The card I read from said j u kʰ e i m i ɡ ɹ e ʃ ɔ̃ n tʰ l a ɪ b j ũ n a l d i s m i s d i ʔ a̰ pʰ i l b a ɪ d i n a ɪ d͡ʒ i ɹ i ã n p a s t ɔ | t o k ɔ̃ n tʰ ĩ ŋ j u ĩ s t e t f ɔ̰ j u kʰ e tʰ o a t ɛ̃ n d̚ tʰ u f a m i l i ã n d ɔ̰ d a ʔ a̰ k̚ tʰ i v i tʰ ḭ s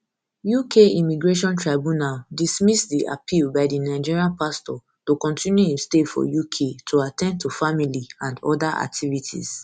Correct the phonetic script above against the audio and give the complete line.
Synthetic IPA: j u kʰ e i m i ɡ ɹ e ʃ ɔ̃ n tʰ ɹ a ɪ b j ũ n a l d i s m i s d i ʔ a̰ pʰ i l b a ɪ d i n a ɪ d͡ʒ i ɹ i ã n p a s t ɔ | t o k ɔ̃ n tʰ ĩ n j u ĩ s t e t f ɔ̰ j u kʰ e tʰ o a t ɛ̃ n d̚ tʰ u f a m i l i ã n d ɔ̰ d a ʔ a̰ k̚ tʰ i v i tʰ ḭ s